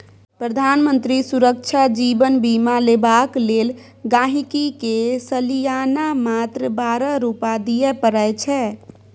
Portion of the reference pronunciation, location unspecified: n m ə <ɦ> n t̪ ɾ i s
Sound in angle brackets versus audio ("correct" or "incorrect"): incorrect